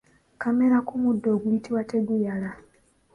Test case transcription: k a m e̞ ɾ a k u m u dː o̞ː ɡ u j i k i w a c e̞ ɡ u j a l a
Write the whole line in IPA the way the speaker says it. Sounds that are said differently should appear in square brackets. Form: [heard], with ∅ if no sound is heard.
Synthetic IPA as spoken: k a m e̞ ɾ a k u m u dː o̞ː ɡ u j i [t] i w a [t] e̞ ɡ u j a l a